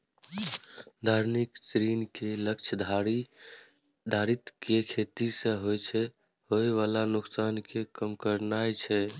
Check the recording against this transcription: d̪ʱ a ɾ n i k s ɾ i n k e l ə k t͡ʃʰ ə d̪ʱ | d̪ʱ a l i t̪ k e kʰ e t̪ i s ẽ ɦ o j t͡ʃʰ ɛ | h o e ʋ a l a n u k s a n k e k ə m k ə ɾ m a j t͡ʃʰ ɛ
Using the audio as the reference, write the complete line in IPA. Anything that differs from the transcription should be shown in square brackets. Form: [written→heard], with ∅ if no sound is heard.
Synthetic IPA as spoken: d̪ʱ a ɾ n i k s ɾ i n k e l ə k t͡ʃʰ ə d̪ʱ | d̪ʱ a [l→ɾ] i t̪ k e kʰ e t̪ i s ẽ ɦ o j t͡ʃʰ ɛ | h o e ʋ a l a n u k s a n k e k ə m k ə ɾ [m→n] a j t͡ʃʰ ɛ